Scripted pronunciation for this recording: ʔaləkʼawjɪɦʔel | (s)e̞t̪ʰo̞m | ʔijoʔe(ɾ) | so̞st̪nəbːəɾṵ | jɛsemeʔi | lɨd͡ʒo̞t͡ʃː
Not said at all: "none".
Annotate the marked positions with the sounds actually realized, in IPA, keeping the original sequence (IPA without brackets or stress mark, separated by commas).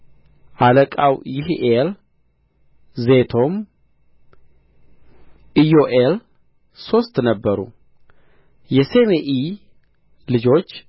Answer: z, l